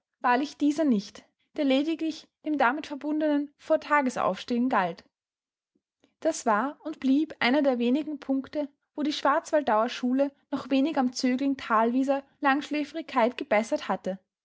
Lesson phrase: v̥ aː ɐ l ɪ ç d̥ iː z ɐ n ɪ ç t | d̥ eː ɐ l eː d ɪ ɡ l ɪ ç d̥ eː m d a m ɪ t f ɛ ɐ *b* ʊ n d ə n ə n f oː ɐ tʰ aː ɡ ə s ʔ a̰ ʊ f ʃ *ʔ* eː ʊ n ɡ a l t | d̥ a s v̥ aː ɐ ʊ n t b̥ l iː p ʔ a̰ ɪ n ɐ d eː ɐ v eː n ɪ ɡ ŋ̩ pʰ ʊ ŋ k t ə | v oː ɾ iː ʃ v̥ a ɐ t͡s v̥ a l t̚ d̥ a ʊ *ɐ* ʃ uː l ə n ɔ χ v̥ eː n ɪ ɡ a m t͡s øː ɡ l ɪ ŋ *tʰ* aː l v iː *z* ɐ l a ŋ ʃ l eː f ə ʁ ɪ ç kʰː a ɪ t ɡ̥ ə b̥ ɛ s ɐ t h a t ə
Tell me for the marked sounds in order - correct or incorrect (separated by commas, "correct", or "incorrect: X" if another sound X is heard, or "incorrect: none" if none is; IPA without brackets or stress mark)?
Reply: correct, incorrect: t, correct, correct, correct